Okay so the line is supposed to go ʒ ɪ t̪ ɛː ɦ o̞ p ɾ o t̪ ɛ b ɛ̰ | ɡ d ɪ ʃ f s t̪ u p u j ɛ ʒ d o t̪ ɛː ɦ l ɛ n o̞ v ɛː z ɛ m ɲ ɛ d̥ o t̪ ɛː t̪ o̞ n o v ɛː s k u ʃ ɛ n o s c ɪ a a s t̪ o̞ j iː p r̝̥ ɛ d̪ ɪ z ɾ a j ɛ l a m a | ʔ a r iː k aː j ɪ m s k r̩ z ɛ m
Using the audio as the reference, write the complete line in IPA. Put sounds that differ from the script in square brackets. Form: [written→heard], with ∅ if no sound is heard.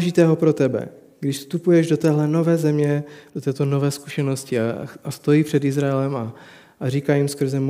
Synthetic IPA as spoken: ʒ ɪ t̪ ɛː ɦ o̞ p ɾ o t̪ ɛ b ɛ̰ | ɡ d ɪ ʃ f s t̪ u p u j ɛ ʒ d o t̪ ɛː ɦ l ɛ n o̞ v ɛː z ɛ m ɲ ɛ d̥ o t̪ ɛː t̪ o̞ n o v ɛː s k u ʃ ɛ n o s c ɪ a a s t̪ o̞ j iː p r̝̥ ɛ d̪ ɪ z ɾ a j ɛ l [a→ɛ] m a | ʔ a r iː k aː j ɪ m s k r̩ z ɛ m